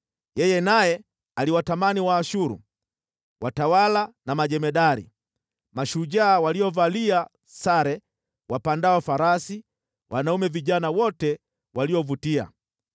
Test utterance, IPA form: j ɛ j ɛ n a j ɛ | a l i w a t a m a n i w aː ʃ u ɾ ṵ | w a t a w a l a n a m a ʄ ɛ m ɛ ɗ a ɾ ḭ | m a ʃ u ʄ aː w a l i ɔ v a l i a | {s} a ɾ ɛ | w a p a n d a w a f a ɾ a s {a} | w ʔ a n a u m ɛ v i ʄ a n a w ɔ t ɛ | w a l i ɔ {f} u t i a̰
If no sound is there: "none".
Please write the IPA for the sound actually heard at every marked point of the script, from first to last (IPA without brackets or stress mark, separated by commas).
s, i, v